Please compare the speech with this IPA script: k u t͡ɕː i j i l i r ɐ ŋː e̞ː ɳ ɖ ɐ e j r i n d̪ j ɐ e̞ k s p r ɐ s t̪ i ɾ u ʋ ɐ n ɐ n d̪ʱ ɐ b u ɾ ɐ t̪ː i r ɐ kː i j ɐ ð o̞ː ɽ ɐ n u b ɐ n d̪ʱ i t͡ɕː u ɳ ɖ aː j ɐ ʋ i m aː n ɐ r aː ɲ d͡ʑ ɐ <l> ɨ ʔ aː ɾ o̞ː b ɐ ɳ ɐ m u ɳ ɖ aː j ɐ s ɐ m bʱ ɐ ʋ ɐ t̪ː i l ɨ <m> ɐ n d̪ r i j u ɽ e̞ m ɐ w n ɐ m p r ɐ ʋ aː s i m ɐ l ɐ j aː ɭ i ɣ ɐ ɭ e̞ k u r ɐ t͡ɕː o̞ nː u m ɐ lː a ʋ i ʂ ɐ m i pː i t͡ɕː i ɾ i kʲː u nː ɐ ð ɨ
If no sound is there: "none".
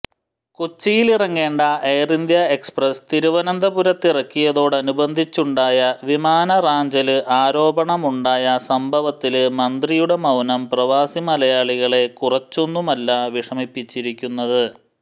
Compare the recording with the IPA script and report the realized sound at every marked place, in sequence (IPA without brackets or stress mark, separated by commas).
l, m